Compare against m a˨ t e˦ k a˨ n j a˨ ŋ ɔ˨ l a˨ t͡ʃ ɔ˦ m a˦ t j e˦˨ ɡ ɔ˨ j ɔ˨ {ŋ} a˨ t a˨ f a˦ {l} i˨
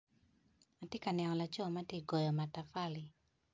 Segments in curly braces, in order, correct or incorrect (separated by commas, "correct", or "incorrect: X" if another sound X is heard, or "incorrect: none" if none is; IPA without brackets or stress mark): incorrect: m, correct